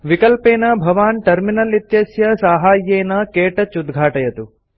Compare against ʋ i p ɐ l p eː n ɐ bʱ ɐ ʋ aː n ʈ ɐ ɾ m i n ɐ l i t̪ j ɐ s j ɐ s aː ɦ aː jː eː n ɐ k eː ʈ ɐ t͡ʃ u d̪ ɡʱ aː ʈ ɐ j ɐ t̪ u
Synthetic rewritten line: ʋ i k ɐ l p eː n ɐ bʱ ɐ ʋ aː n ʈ ɐ ɾ m i n ɐ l i t̪ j ɐ s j ɐ s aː ɦ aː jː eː n ɐ k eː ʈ ɐ t͡ʃ u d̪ ɡʱ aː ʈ ɐ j ɐ t̪ u